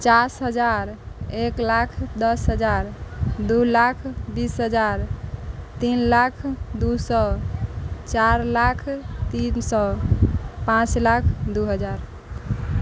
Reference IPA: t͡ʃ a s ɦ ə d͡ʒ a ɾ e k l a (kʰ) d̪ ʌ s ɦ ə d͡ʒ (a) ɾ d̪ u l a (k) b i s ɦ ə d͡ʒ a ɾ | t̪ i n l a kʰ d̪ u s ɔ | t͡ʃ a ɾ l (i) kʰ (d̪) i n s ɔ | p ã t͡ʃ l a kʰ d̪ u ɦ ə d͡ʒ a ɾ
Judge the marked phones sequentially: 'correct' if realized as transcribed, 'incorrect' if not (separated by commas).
correct, correct, incorrect, incorrect, incorrect